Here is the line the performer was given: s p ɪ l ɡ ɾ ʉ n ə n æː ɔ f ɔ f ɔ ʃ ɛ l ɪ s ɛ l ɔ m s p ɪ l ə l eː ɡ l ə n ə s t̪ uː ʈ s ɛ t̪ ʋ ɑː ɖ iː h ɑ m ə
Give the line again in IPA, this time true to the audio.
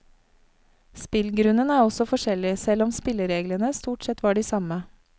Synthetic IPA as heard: s p ɪ l ɡ ɾ ʉ n ə n æː ɔ s ɔ f ɔ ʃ ɛ l ɪ s ɛ l ɔ m s p ɪ l ə ɾ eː ɡ l ə n ə s t̪ uː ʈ s ɛ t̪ ʋ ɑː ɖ iː s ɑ m ə